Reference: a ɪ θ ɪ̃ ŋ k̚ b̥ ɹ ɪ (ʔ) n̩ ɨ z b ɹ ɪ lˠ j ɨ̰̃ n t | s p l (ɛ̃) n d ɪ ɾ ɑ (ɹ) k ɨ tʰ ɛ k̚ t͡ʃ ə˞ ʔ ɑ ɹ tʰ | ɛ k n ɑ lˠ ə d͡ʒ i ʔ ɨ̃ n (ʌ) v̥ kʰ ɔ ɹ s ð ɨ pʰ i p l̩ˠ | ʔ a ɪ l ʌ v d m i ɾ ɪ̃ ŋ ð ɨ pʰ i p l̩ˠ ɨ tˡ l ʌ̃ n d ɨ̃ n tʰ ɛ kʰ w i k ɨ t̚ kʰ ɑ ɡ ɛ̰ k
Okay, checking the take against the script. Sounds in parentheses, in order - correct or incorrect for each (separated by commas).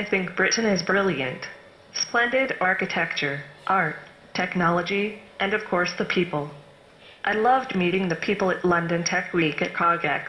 correct, correct, correct, correct